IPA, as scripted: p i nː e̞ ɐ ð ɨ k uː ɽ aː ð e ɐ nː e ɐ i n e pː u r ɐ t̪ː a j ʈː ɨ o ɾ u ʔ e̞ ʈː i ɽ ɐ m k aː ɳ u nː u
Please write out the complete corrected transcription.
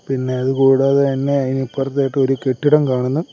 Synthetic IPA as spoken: p i nː e̞ ɐ ð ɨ k uː ɽ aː ð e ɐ nː e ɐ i n i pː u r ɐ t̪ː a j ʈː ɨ o ɾ u k e̞ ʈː i ɽ ɐ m k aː ɳ u nː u